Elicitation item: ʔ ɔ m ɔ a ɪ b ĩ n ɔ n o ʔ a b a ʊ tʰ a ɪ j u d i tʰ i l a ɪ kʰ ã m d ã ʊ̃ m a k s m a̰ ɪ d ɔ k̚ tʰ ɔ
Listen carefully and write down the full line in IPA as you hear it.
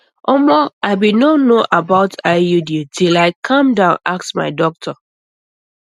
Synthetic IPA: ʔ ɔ m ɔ a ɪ b i n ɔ n o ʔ a b a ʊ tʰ a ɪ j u d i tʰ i l a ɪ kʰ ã m d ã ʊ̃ n a k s m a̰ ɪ d ɔ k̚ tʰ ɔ